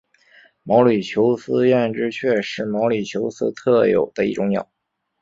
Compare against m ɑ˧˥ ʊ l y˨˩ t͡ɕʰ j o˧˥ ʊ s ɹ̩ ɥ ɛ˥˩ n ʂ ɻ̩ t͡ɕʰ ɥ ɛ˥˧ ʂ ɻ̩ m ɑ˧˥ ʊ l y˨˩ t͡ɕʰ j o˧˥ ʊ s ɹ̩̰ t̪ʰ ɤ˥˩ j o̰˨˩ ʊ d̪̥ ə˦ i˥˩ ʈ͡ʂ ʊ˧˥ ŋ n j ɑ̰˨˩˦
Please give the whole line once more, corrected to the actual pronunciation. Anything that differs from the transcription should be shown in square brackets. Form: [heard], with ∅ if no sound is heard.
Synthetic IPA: m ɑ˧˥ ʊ l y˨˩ t͡ɕʰ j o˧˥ ʊ s ɹ̩ ɥ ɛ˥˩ n [ʈ͡ʂ] ɻ̩ t͡ɕʰ ɥ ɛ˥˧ ʂ ɻ̩ m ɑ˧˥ ʊ l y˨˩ t͡ɕʰ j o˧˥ ʊ s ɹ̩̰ t̪ʰ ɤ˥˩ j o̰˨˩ ʊ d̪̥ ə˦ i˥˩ ʈ͡ʂ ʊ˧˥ ŋ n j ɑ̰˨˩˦